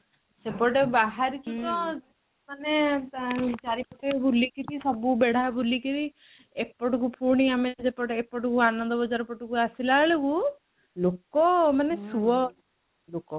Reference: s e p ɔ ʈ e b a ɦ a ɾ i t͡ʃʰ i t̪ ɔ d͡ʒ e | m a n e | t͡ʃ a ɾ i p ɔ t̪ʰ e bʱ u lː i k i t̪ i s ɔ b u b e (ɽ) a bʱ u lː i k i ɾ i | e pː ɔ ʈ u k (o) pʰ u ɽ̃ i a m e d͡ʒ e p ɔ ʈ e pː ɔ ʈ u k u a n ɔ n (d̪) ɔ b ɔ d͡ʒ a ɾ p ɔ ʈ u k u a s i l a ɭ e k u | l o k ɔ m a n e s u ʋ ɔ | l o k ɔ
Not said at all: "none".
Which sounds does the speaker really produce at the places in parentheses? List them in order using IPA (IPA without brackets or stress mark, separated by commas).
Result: ɽ, u, d̪